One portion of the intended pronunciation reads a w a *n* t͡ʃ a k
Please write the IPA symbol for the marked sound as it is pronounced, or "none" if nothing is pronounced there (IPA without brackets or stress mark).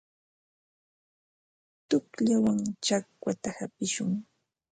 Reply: ŋ